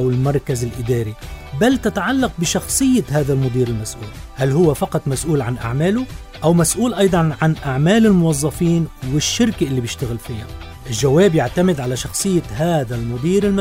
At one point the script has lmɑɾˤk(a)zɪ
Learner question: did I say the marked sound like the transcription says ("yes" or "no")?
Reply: yes